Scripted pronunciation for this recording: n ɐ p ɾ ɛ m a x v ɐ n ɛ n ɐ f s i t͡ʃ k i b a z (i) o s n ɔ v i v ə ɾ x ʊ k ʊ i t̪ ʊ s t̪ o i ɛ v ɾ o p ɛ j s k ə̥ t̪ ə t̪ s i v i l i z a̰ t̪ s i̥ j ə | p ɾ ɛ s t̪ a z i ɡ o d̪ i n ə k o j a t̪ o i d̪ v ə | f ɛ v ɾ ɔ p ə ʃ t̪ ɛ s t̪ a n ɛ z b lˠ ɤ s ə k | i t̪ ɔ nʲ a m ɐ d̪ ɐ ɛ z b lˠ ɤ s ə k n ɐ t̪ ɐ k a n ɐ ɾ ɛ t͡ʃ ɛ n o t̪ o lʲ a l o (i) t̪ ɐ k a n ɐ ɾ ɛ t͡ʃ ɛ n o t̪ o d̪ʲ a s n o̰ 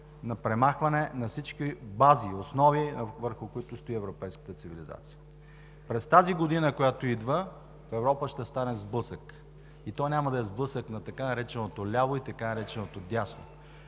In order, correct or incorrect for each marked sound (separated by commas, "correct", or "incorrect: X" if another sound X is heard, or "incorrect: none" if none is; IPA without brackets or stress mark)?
correct, correct